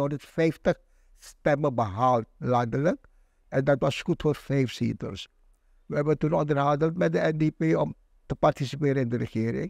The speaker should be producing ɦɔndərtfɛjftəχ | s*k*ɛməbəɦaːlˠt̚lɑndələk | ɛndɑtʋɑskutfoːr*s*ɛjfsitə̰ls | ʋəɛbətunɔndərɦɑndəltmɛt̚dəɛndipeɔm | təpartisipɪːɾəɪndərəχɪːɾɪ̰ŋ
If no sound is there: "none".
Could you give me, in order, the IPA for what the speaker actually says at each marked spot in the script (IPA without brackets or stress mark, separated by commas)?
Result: t, f